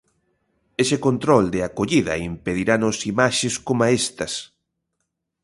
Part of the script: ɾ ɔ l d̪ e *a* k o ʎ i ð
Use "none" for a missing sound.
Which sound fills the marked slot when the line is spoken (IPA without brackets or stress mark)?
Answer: a